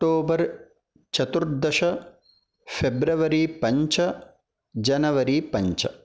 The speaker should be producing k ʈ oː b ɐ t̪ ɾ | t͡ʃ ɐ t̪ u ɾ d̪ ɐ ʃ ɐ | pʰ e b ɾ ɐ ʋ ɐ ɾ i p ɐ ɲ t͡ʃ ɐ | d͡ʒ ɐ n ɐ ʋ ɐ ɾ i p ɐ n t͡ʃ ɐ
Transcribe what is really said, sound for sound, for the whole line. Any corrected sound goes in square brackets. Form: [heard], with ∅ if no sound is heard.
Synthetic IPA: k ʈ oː b ɐ [∅] ɾ | t͡ʃ ɐ t̪ u ɾ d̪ ɐ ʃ ɐ | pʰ e b ɾ ɐ ʋ ɐ ɾ i p ɐ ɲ t͡ʃ ɐ | d͡ʒ ɐ n ɐ ʋ ɐ ɾ i p ɐ [ɲ] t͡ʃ ɐ